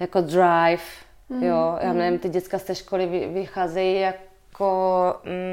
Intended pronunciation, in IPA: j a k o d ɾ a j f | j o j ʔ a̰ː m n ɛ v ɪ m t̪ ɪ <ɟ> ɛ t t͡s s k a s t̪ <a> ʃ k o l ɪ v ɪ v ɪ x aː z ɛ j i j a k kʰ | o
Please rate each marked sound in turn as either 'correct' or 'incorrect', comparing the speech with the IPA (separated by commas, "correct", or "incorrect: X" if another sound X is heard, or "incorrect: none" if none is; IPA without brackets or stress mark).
correct, incorrect: ɛ